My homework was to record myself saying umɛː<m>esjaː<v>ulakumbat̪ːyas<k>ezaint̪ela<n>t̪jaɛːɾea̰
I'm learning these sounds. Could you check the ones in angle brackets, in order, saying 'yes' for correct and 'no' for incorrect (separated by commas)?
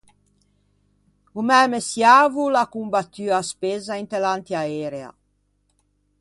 yes, yes, no, yes